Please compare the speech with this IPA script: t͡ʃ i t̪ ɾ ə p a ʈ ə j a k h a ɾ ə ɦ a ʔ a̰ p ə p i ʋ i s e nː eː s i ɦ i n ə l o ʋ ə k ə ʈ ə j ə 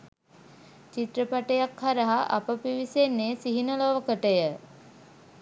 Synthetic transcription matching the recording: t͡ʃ i t̪ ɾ ə p a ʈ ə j a k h a ɾ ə ɦ a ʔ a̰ p ə p i ʋ i s e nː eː s i ɦ i n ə l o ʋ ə k ə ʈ ə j ə